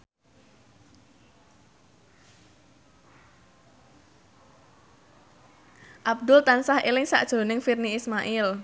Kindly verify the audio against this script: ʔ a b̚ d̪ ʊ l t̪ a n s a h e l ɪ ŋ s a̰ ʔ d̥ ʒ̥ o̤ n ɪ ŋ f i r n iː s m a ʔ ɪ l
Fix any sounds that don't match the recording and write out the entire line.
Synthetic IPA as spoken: ʔ a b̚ d̪ ʊ l t̪ a n s a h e l ɪ ŋ s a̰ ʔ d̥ ʒ̥ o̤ n ɪ ŋ f i r n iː s m a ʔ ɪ l